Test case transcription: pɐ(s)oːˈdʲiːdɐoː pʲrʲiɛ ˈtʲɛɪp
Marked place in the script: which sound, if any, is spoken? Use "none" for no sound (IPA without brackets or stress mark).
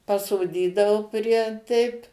s